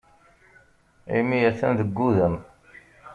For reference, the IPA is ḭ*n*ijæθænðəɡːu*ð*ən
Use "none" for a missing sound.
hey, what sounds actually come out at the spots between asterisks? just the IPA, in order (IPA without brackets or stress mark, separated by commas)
m, ð